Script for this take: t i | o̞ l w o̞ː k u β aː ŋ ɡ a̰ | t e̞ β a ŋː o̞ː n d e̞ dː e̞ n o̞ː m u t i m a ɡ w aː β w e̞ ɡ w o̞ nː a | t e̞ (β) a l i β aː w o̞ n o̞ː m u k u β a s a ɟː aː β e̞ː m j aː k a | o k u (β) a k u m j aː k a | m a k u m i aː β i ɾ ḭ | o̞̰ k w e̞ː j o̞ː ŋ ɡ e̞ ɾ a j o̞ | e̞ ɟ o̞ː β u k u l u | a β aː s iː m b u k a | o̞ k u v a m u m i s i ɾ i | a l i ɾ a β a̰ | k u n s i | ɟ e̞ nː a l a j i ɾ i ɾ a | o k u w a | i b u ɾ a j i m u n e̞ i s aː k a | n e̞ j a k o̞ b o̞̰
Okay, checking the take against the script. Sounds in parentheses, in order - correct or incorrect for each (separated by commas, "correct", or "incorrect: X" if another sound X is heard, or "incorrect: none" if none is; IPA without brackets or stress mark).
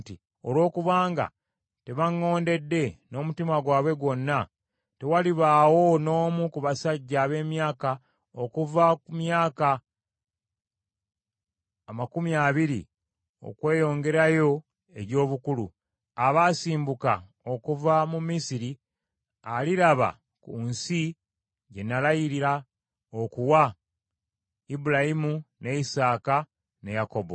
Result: incorrect: w, incorrect: v